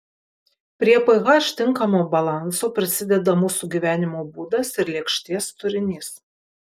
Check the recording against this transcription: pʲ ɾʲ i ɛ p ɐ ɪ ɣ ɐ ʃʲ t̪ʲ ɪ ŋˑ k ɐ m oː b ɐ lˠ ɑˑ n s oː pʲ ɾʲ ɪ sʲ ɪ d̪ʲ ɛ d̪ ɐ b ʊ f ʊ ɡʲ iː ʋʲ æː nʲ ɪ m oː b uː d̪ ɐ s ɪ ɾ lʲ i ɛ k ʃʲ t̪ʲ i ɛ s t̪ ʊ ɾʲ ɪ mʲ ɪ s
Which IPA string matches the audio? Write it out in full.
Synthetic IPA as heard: pʲ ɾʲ i ɛ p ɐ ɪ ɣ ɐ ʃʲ t̪ʲ ɪ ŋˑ k ɐ m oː b ɐ lˠ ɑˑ n s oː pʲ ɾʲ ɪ sʲ ɪ d̪ʲ ɛ d̪ ɐ m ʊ s ʊ ɡʲ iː ʋʲ æː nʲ ɪ m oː b uː d̪ ɐ s ɪ ɾ lʲ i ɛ k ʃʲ t̪ʲ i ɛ s t̪ ʊ ɾʲ ɪ nʲ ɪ s